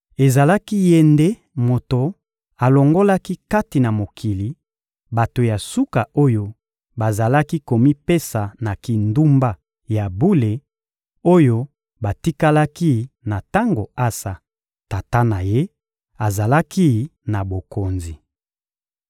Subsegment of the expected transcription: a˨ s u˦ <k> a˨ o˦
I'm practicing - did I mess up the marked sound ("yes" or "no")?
no